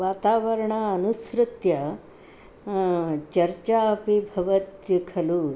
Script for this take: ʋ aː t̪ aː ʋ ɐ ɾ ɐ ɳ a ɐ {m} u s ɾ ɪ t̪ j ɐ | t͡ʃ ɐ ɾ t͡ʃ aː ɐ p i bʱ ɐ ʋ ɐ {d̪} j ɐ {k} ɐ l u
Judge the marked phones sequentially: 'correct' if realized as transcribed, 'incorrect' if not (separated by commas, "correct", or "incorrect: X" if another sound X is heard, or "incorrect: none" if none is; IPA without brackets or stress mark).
incorrect: n, incorrect: t̪, incorrect: kʰ